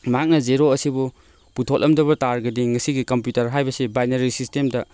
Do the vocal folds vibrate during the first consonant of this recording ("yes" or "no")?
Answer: yes